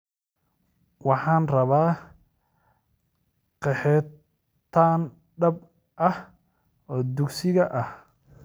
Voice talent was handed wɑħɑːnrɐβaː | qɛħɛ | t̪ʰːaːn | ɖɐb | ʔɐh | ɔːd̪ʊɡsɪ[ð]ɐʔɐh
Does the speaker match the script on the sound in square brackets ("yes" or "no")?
no